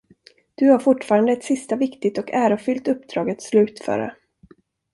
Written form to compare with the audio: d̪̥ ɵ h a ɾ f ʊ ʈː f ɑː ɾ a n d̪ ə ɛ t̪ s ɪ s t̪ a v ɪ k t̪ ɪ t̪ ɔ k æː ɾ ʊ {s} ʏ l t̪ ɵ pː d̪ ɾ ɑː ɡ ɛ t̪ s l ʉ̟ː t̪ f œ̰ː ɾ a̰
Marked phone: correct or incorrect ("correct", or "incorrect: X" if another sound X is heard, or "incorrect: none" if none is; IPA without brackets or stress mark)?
incorrect: f